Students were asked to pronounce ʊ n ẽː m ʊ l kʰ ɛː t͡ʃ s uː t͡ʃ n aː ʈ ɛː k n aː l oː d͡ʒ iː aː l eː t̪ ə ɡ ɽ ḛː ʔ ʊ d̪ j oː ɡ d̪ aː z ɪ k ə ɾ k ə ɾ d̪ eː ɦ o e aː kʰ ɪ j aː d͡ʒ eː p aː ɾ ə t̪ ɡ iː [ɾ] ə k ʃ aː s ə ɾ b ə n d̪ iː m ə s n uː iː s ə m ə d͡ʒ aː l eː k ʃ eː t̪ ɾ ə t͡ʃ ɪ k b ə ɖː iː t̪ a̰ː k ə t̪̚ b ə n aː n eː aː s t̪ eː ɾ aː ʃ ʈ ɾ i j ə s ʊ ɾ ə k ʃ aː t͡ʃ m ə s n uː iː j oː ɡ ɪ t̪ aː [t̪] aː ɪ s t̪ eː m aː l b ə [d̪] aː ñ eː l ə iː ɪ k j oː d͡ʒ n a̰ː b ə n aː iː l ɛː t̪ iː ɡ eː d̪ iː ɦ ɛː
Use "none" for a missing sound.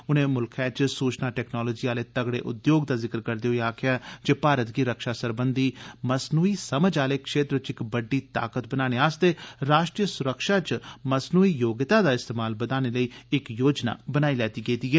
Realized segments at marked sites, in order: ɾ, d̪, d̪

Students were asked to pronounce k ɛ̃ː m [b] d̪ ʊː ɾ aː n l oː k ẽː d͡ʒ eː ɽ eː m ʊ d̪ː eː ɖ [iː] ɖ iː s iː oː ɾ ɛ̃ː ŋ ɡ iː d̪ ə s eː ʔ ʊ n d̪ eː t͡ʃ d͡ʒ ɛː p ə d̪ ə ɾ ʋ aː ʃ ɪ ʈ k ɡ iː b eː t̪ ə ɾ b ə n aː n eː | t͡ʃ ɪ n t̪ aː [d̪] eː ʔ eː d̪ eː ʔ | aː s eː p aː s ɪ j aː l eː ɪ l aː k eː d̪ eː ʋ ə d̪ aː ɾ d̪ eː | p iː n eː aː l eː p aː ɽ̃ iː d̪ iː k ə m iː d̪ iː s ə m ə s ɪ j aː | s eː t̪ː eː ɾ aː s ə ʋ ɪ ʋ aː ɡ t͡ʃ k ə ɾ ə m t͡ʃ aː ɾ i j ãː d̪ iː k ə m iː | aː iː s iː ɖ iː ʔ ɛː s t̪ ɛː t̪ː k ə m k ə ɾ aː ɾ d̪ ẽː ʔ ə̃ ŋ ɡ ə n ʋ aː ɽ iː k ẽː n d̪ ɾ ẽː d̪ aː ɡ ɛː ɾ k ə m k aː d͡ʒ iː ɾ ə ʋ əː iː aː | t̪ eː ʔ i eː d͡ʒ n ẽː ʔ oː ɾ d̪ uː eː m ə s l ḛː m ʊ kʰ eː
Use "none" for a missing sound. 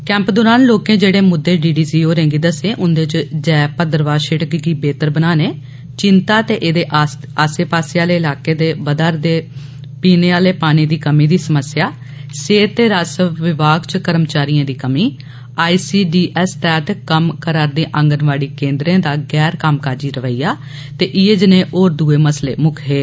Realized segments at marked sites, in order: p, iː, t̪

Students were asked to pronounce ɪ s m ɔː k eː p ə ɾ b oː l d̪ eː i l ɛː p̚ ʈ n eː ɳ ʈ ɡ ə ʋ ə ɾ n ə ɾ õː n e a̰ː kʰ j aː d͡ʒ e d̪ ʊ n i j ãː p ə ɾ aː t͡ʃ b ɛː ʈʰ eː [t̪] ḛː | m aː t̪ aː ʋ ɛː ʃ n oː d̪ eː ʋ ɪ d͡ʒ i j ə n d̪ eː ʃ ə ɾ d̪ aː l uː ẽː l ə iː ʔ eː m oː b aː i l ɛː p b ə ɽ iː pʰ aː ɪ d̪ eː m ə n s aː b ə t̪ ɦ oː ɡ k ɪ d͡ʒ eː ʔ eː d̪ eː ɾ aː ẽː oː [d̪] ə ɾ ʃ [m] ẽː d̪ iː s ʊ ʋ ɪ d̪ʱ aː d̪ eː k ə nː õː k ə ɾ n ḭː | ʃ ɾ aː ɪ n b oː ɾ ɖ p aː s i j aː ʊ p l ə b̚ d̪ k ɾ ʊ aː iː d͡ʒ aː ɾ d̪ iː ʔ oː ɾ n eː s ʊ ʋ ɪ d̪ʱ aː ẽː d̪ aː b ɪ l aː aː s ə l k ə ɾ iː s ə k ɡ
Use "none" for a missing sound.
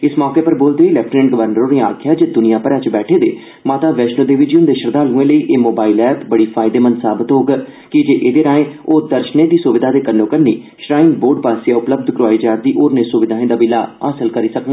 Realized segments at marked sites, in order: d̪, d̪, n

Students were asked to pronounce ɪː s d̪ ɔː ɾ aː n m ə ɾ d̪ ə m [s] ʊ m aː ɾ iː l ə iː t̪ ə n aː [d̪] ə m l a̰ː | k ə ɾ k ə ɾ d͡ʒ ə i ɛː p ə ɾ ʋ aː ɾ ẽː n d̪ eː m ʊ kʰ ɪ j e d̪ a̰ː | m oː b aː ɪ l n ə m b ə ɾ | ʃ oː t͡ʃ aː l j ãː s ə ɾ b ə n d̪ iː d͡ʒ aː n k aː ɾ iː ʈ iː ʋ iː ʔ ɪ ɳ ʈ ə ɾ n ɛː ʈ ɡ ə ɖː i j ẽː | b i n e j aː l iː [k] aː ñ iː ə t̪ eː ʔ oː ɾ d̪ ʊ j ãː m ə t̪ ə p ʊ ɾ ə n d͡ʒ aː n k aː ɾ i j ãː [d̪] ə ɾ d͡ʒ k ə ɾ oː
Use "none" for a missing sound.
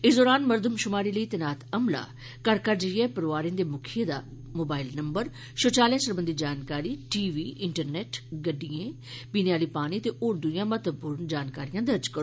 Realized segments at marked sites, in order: ʃ, t̪, p, d̪

